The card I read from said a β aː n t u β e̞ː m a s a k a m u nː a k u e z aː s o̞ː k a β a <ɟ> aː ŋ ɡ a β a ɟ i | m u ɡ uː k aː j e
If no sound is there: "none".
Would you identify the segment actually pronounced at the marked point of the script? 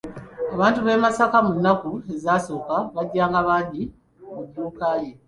ɟː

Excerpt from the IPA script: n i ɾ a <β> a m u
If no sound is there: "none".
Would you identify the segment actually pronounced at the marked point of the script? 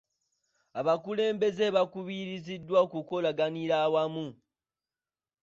w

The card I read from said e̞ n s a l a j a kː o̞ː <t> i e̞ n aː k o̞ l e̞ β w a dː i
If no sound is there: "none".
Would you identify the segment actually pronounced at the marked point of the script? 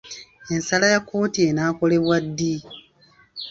t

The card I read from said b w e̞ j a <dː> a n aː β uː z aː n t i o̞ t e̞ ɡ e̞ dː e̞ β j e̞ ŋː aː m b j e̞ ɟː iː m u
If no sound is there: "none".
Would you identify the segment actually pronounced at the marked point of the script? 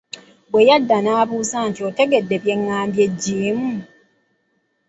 dː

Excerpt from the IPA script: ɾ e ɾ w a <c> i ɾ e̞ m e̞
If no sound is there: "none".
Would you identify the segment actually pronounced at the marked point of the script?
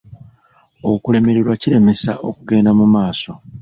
c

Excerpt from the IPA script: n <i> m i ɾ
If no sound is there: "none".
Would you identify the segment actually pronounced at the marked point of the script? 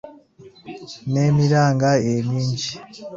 e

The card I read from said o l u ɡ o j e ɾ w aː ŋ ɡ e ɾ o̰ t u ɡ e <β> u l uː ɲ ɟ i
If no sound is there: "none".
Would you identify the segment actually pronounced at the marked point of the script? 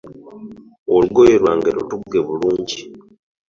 β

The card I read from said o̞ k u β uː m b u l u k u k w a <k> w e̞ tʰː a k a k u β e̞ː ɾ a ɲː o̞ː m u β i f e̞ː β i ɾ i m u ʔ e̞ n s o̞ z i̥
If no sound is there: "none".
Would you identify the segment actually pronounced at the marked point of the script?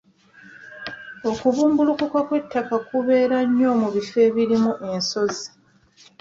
k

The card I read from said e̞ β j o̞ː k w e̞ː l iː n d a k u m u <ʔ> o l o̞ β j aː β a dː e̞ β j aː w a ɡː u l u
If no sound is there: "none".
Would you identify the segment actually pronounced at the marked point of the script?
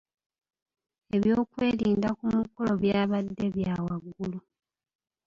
k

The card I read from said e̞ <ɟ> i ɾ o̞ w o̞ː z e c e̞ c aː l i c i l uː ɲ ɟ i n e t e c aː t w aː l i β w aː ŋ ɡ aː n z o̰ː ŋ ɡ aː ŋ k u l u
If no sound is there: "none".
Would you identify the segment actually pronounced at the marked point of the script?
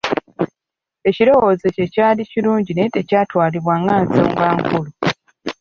c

